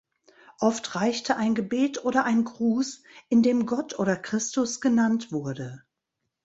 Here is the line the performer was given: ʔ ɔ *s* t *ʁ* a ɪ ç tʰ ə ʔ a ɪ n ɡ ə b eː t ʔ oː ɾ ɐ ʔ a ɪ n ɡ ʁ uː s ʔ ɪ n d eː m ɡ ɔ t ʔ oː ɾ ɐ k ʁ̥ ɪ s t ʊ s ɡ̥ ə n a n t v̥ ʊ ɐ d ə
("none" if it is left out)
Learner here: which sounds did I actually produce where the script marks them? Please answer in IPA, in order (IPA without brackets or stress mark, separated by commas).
f, ʁ